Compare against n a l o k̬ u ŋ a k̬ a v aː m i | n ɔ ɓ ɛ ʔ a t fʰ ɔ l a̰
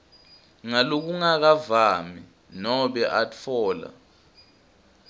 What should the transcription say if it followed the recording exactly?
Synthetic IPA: ŋ a l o k̬ u ŋ a k̬ a v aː m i | n ɔ ɓ ɛ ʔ a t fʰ ɔː l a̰